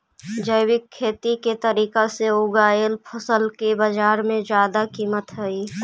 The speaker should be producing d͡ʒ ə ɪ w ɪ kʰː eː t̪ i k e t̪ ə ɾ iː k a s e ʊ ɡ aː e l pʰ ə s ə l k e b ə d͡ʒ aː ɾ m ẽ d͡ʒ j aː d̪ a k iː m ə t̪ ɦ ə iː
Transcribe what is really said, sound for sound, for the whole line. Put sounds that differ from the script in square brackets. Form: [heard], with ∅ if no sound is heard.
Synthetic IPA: d͡ʒ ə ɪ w ɪ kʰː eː t̪ i k e t̪ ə ɾ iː k a s e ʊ ɡ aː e l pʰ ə s ə l k e b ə d͡ʒ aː ɾ m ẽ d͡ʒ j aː d̪ a k iː m ə t̪ ɦ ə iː